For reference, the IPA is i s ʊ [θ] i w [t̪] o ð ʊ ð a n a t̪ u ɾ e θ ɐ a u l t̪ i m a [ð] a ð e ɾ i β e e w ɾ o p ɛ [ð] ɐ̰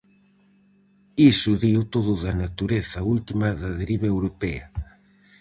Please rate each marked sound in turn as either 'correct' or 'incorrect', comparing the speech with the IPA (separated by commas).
incorrect, correct, correct, incorrect